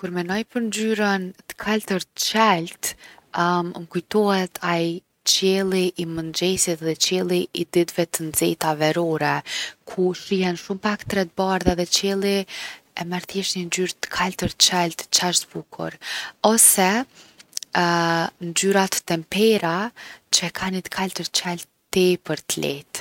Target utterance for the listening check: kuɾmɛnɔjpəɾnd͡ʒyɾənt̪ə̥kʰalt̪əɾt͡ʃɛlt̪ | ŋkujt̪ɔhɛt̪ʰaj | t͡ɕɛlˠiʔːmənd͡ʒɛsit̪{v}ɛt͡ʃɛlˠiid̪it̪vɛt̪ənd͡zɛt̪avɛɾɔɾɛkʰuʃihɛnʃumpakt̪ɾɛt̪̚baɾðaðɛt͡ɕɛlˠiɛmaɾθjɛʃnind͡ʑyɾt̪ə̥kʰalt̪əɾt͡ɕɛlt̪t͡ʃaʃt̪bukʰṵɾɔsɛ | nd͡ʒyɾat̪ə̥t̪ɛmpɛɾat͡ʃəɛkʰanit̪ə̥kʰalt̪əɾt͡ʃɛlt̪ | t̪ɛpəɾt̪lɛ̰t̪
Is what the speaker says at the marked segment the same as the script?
no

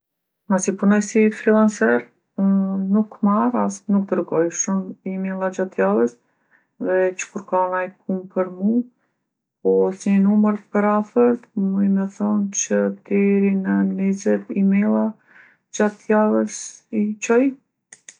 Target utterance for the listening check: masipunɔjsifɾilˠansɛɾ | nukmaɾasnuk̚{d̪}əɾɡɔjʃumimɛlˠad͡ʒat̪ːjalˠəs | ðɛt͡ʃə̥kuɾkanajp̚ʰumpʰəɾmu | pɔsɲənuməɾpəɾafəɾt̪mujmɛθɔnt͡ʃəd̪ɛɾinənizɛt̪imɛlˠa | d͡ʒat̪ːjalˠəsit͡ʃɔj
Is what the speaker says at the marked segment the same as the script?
yes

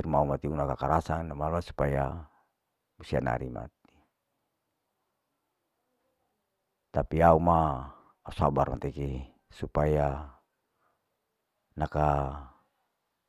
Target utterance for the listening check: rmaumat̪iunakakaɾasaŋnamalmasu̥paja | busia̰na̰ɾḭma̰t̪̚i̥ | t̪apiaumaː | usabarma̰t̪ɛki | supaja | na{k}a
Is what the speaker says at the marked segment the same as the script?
yes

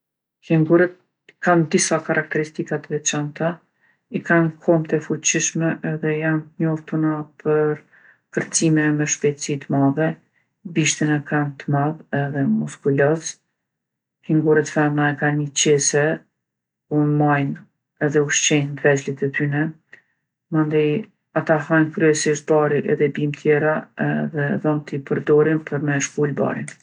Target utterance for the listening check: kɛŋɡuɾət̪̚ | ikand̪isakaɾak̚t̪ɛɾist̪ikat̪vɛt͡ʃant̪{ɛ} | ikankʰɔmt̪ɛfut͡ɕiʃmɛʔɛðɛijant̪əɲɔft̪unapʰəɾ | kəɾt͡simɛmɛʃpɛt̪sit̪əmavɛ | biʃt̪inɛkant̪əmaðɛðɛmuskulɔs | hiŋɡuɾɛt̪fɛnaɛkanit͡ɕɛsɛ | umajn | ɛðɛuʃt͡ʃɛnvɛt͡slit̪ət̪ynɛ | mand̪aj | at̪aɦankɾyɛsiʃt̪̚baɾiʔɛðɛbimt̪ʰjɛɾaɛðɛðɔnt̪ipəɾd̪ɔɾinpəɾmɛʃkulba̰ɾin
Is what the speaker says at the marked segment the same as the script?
no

